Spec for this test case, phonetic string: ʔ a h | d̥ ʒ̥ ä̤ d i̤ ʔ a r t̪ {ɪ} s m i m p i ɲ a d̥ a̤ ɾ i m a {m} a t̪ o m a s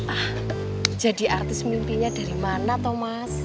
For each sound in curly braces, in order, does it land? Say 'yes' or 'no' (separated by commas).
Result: yes, no